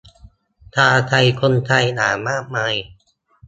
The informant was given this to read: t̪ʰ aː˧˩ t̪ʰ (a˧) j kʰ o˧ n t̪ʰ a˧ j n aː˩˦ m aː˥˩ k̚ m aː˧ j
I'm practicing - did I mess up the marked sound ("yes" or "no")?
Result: no